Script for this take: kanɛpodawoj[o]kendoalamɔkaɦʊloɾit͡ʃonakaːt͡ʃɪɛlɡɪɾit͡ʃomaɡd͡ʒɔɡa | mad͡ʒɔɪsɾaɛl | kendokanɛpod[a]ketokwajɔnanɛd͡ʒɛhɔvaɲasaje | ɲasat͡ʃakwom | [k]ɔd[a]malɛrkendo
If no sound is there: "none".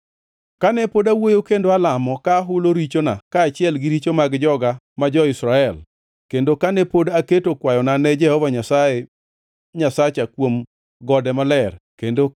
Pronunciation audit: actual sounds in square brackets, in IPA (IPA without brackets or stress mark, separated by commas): o, a, ɡ, ɛ